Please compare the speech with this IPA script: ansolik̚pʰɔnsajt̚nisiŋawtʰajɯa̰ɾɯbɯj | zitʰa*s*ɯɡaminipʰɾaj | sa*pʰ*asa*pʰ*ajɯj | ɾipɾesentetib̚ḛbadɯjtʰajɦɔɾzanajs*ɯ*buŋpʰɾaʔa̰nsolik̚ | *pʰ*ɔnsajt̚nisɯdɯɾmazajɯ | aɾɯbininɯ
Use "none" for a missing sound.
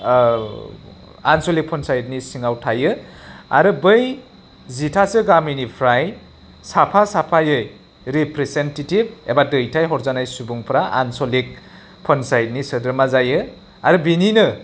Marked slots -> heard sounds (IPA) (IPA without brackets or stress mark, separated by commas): s, pʰ, pʰ, u, pʰ